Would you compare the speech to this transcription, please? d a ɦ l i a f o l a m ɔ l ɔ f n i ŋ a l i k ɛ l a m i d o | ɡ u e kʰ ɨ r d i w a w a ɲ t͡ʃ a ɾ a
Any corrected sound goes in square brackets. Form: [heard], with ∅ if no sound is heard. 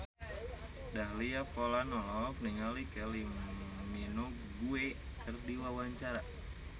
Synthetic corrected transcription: d a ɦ l i a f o l a [n] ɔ l ɔ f n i ŋ a l i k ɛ l [i] m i [n] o | ɡ u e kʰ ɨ r d i w a w a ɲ t͡ʃ a ɾ a